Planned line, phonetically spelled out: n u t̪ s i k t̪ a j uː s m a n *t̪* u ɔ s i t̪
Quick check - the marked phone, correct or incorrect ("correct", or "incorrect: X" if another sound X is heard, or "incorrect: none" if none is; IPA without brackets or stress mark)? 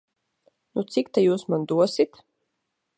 incorrect: d̪